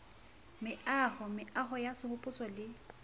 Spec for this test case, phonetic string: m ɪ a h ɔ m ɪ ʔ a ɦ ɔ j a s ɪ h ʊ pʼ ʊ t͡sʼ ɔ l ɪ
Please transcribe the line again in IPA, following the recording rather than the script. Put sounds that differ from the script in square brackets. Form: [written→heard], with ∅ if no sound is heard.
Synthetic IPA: m ɪ a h ɔ m ɪ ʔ a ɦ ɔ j a s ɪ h ʊ pʼ ʊ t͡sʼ ɔ l ɪ